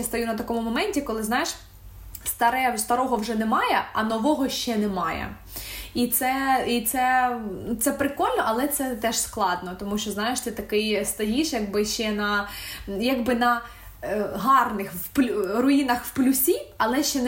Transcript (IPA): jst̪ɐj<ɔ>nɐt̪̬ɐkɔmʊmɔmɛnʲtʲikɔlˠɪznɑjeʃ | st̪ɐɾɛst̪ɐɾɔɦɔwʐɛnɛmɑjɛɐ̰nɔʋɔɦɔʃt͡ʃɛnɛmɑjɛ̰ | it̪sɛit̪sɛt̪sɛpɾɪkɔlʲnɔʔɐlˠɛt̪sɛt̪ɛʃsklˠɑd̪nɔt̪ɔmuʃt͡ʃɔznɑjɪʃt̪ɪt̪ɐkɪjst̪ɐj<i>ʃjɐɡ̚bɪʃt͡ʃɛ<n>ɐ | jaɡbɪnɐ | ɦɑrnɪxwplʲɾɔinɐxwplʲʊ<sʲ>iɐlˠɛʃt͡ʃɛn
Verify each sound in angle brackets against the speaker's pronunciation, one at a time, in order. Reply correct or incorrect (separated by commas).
incorrect, correct, correct, correct